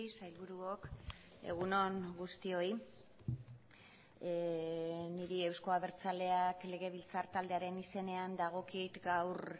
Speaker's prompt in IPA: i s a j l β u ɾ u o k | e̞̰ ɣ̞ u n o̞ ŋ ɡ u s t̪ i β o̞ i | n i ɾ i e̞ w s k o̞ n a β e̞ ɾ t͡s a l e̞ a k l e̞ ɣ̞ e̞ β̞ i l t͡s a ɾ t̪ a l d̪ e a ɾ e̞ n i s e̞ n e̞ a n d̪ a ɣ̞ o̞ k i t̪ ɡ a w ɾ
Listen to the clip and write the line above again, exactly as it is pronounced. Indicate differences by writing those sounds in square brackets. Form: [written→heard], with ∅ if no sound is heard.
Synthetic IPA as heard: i s a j l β u ɾ u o k | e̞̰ ɣ̞ u n o̞ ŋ ɡ u s t̪ i [β→∅] o̞ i | n i ɾ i e̞ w s k o̞ [n→∅] a β e̞ ɾ t͡s a l e̞ a k l e̞ ɣ̞ e̞ β̞ i l t͡s a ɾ t̪ a l d̪ e a ɾ e̞ n i s e̞ n e̞ a n d̪ a ɣ̞ o̞ k i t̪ ɡ a w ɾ